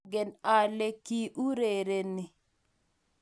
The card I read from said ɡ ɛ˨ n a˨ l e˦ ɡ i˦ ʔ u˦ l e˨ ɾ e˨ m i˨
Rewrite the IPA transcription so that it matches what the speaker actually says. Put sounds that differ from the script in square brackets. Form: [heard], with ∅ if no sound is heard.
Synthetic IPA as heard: ɡ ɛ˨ n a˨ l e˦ [k] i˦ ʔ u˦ [ɾ] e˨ ɾ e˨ [n] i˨